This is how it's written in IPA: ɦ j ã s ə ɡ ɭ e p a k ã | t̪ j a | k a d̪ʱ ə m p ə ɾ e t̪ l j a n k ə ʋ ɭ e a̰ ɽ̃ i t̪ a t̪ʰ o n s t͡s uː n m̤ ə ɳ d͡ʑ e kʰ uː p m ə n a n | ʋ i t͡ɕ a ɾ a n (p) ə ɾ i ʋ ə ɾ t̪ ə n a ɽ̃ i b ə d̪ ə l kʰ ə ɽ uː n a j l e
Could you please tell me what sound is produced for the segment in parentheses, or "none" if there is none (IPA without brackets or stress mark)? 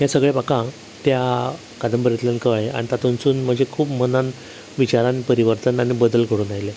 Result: p